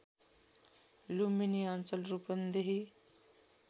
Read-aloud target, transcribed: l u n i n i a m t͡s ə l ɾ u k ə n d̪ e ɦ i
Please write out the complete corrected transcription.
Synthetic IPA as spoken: l u m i n i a n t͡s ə l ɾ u p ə n d̪ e ɦ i